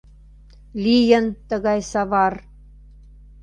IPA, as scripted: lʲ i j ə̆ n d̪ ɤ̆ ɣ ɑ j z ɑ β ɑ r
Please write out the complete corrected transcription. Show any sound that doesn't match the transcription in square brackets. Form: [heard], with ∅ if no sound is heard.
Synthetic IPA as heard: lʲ i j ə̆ n [t̪] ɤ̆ ɣ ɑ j [s] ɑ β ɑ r